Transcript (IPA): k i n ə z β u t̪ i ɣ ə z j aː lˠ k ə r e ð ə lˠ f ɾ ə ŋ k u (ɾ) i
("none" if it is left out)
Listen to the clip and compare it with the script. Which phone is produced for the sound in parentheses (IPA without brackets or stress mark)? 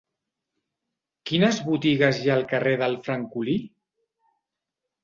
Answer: l